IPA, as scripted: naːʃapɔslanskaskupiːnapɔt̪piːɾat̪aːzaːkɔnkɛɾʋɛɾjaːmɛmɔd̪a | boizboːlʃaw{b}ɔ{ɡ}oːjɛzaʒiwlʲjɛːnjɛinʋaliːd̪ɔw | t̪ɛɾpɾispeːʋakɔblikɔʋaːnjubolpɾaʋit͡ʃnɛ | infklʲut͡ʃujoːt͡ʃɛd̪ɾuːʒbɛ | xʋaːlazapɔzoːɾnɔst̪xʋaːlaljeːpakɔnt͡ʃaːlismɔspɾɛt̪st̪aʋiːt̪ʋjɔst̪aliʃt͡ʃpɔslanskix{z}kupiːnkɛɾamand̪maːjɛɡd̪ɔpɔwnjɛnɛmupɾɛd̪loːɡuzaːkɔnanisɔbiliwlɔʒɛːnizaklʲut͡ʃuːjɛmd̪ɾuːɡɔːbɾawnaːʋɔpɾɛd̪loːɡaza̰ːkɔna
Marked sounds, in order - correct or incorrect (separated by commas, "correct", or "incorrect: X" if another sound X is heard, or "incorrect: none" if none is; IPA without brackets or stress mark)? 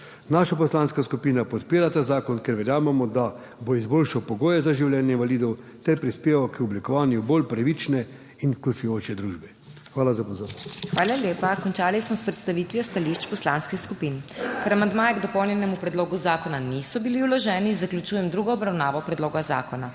incorrect: p, correct, incorrect: s